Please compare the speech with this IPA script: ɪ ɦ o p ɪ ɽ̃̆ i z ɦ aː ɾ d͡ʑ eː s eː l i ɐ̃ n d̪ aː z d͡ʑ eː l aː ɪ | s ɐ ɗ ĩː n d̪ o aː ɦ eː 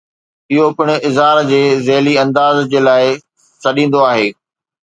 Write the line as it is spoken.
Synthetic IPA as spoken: ɪ ɦ o p ɪ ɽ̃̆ ɪ z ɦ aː ɾ d͡ʑ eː z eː l i ɐ̃ n d̪ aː z d͡ʑ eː l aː ɪ | s ɐ ɗ ĩː n d̪ o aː ɦ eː